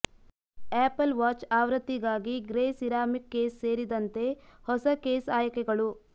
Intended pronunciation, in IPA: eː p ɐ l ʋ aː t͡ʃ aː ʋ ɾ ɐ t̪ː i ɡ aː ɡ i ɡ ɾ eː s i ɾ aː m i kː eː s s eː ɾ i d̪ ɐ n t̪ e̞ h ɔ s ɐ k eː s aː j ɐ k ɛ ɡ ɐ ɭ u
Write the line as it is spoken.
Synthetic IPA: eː p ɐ l ʋ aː t͡ʃ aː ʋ ɾ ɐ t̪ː i ɡ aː ɡ i ɡ ɾ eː s i ɾ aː m i kː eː s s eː ɾ i d̪ ɐ n t̪ e̞ h ɔ s ɐ k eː s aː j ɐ k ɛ ɡ ɐ ɭ u